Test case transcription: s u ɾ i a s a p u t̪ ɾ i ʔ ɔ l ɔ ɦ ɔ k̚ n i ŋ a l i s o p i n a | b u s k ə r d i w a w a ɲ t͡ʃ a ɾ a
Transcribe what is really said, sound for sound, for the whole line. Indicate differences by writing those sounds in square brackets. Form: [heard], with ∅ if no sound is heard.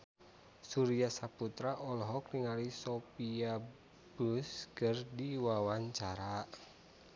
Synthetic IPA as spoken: s u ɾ i a s a p u t̪ ɾ [a] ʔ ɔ l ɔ ɦ ɔ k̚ n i ŋ a l i s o p i [∅] a | b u s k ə r d i w a w a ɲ t͡ʃ a ɾ a